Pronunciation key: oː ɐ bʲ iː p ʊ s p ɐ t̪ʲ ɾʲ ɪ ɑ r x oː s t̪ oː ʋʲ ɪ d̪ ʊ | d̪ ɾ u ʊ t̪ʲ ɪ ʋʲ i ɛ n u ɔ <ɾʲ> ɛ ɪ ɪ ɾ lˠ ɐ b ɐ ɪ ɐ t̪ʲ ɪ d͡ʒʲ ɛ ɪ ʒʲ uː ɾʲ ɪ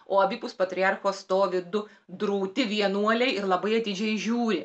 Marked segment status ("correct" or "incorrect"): incorrect